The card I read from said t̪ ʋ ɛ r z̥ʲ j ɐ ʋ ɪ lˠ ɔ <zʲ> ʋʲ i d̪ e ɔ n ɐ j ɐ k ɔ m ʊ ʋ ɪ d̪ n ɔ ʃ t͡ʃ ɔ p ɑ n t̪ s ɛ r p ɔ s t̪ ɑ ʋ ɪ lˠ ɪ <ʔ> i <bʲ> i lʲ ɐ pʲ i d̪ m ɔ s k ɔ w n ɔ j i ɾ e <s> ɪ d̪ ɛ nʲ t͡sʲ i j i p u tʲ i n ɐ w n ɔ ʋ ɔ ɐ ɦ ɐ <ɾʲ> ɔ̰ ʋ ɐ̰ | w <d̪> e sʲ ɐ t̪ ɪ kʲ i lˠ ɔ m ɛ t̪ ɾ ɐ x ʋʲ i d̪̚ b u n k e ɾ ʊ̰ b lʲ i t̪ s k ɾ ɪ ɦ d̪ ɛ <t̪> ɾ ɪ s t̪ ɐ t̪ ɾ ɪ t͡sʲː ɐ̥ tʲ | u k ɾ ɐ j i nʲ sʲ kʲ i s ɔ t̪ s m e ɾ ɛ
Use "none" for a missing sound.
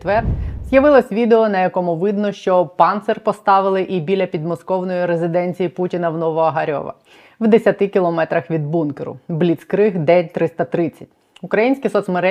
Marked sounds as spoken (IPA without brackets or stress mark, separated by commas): sʲ, ʔ, bʲ, z, ɾʲ, d̪, t̪